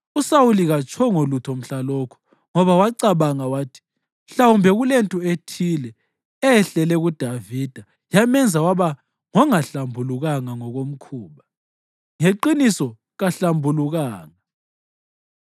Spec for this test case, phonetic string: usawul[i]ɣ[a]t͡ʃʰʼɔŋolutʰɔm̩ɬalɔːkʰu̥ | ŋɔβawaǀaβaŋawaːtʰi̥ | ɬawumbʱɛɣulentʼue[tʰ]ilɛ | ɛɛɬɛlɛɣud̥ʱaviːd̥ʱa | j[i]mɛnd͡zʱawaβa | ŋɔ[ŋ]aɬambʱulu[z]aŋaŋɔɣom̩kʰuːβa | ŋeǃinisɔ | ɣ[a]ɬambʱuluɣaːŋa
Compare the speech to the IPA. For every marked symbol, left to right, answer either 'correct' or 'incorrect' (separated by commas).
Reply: correct, correct, correct, incorrect, correct, incorrect, correct